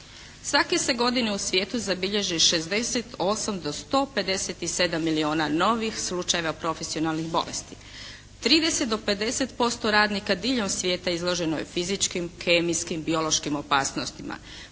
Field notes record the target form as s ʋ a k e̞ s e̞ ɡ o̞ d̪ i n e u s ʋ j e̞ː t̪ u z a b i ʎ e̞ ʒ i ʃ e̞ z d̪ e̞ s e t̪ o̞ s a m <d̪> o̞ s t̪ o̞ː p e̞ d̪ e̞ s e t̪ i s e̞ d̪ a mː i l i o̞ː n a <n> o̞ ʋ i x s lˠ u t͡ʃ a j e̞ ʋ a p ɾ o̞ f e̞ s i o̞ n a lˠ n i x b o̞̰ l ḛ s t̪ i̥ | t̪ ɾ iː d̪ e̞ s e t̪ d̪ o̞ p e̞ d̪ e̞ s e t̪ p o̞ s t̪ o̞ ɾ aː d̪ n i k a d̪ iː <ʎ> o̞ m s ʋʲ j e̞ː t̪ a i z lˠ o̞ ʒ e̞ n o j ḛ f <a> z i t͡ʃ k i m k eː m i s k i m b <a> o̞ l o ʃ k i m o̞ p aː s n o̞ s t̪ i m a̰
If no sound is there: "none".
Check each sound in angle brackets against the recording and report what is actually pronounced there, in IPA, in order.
d̪, n, ʎ, i, i

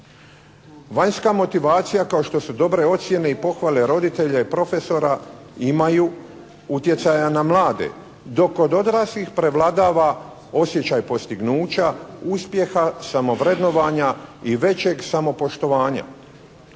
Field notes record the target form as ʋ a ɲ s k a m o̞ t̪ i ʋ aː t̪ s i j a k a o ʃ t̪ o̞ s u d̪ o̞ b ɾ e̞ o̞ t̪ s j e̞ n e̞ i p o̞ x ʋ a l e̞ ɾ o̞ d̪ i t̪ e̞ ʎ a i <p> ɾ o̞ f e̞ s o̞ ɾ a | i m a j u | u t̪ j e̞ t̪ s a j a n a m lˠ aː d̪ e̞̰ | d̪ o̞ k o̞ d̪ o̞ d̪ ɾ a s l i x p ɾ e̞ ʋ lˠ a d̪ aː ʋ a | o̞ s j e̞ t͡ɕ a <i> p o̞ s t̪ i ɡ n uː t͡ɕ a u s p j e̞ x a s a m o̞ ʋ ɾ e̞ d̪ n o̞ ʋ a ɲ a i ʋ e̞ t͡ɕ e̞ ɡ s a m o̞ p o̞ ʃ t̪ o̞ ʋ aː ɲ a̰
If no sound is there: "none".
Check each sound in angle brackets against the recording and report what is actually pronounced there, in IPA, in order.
p, j

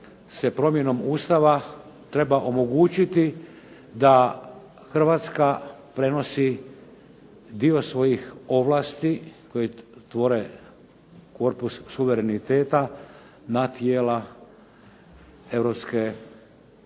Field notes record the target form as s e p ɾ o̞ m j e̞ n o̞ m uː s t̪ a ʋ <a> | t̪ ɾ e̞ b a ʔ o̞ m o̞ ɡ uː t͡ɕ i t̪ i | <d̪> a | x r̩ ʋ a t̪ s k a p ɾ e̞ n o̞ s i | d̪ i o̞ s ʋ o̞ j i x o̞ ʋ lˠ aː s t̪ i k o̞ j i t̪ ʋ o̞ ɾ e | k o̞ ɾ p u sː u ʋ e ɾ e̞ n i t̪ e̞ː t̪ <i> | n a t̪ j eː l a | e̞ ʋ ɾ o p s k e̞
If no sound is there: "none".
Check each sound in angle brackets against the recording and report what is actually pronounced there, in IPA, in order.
a, d̪, a

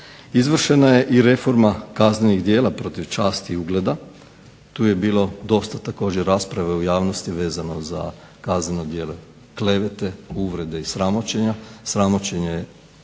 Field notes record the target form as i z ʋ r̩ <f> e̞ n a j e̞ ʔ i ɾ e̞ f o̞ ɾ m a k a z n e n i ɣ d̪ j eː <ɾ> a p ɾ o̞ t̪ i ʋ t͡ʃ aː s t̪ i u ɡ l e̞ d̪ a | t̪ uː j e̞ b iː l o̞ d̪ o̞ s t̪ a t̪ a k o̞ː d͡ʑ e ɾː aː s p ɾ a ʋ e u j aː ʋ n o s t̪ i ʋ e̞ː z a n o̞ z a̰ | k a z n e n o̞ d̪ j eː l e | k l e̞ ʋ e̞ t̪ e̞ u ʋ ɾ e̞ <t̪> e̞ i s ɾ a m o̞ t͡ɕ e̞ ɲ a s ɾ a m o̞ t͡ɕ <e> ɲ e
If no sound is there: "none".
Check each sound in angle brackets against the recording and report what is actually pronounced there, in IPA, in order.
ʃ, l, d̪, e

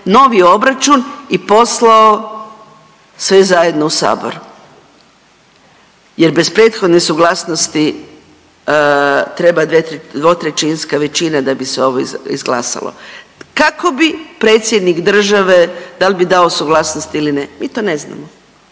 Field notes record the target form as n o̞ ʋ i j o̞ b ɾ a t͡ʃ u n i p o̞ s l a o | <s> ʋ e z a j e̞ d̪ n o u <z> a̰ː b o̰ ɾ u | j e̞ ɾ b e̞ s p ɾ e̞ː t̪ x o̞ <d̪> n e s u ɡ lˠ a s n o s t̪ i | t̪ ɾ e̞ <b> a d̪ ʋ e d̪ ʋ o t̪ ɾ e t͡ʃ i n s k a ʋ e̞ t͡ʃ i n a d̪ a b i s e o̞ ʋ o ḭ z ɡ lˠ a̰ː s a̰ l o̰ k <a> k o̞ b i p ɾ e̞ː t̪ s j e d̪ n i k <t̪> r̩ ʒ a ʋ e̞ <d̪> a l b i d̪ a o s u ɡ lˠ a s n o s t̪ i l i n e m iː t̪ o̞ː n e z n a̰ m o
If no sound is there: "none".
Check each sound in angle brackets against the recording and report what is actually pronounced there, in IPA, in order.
s, s, d̪, b, a, d̪, d̪

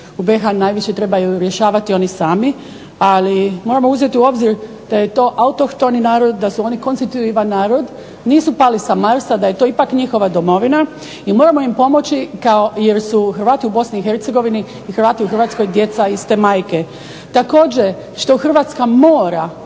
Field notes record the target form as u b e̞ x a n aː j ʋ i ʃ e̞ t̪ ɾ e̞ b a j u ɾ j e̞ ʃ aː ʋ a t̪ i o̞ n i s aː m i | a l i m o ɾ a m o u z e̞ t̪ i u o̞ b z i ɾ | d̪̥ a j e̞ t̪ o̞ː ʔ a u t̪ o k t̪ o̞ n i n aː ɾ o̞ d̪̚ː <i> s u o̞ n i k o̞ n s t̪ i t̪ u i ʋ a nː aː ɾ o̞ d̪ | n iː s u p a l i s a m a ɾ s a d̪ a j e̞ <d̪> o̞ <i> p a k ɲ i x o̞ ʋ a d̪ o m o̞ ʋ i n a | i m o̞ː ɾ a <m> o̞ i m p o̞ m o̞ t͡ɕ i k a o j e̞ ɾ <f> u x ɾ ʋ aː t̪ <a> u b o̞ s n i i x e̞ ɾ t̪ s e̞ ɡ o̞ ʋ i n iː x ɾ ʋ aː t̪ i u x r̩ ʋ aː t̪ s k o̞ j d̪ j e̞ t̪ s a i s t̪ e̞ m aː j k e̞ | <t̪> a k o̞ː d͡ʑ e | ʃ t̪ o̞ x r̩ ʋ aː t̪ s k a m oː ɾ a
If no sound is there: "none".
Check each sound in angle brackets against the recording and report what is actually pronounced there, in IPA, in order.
a, t̪, i, m, s, i, t̪

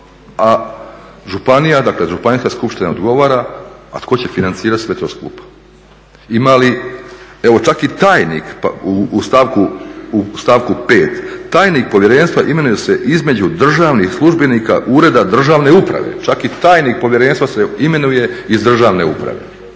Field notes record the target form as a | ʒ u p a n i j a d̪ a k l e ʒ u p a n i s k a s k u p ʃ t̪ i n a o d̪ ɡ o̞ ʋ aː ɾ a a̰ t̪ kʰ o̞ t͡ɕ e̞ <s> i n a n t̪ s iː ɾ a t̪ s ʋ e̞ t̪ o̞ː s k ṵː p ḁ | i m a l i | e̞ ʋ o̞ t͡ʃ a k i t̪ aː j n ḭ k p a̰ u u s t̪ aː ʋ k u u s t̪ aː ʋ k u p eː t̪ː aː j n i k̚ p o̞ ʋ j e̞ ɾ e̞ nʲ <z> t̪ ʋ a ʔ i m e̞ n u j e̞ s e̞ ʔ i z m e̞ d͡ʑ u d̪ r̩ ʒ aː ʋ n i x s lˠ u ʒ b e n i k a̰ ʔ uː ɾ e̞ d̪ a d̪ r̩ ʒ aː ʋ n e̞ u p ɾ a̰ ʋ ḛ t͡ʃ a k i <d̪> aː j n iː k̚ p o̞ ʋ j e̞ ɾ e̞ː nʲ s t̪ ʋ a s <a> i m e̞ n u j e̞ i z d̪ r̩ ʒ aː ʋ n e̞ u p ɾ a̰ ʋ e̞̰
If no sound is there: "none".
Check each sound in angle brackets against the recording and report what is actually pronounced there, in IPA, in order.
f, s, t̪, e

